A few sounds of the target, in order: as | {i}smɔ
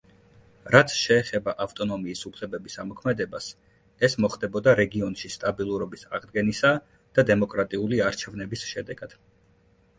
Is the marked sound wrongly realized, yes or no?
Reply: yes